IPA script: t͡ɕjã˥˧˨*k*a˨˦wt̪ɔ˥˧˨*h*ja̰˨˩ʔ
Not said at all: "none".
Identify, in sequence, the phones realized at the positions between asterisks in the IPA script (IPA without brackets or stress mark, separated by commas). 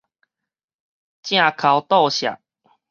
kʰ, ɕ